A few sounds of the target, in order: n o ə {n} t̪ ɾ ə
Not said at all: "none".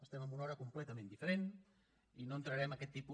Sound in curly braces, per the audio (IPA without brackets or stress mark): n